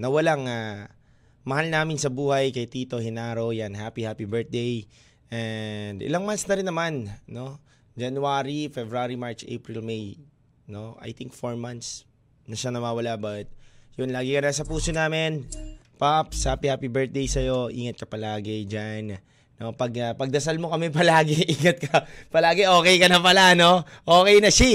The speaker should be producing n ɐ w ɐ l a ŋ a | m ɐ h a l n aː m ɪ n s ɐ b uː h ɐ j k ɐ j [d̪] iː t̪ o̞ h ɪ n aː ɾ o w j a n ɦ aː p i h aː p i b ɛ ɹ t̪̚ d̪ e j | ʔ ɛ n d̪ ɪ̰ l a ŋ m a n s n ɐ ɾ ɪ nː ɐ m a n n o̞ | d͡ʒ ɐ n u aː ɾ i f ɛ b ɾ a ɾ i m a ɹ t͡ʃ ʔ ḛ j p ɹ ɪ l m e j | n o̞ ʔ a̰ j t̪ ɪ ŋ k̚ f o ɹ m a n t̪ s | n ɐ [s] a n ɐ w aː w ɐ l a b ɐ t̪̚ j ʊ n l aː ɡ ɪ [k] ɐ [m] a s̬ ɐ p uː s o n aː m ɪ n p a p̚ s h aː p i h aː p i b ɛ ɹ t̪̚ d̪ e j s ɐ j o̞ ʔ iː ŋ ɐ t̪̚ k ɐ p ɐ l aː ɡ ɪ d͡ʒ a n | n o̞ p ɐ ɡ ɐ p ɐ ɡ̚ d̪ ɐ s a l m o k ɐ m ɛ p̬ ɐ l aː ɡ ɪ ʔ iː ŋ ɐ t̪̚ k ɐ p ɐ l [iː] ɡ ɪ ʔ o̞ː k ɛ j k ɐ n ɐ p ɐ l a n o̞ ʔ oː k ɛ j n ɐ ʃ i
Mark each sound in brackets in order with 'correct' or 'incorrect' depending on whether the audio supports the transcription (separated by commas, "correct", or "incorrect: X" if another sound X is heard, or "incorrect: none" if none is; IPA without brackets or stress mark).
incorrect: t̪, incorrect: ʃ, correct, incorrect: n, incorrect: aː